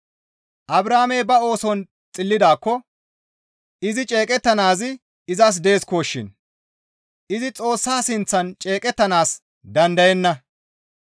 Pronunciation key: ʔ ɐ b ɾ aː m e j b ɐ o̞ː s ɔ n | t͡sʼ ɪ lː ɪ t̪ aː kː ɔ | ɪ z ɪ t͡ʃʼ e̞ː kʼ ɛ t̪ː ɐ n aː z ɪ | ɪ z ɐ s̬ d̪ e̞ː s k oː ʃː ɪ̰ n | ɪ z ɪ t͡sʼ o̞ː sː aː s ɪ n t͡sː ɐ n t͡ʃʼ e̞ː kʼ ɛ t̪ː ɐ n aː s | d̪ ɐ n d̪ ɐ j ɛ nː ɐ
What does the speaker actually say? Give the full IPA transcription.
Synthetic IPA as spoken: ʔ ɐ b ɾ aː m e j b ɐ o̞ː s ɔ n | t͡sʼ ɪ lː ɪ d̪ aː kː ɔ | ɪ z ɪ t͡ʃʼ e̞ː kʼ ɛ t̪ː ɐ n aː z ɪ | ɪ z ɐ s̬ d̪ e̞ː s k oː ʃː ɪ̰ n | ɪ z ɪ t͡sʼ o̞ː sː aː s ɪ n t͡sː ɐ n t͡ʃʼ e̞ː kʼ ɛ t̪ː ɐ n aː s | d̪ ɐ n d̪ ɐ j ɛ nː ɐ